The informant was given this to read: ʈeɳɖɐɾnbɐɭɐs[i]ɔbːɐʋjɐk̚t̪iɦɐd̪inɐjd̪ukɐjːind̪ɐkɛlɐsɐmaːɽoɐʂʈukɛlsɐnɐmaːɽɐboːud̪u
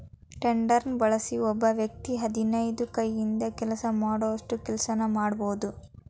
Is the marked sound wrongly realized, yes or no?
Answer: no